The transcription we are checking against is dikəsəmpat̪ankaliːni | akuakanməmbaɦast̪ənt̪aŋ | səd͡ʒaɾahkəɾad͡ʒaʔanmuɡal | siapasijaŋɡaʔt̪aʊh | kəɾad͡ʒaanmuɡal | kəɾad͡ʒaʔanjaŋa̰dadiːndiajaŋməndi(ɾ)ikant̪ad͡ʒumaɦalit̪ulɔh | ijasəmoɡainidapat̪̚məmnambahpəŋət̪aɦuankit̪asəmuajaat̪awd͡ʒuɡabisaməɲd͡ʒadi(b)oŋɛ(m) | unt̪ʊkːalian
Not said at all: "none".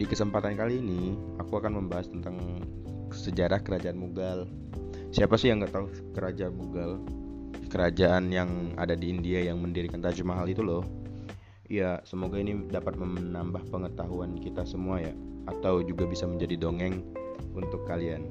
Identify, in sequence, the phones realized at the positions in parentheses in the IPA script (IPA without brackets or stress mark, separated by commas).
ɾ, d, ŋ